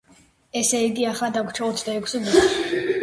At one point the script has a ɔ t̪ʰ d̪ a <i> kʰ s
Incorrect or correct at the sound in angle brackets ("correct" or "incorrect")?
incorrect